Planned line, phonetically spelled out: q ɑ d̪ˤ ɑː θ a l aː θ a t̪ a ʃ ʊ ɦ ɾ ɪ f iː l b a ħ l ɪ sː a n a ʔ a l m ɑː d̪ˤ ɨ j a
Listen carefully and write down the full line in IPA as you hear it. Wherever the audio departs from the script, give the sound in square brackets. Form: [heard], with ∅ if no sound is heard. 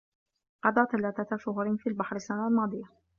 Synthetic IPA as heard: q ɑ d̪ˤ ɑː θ a l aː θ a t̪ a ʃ ʊ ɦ ɾ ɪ f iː l b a ħ [ɾ] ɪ sː a n a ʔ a l m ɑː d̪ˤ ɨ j a